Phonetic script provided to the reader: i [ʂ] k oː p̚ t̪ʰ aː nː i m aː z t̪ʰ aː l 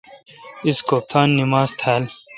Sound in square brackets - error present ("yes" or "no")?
yes